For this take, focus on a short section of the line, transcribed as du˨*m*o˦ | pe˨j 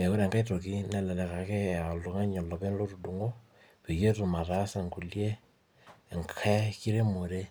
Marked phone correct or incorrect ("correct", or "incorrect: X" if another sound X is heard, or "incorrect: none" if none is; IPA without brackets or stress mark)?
incorrect: ŋ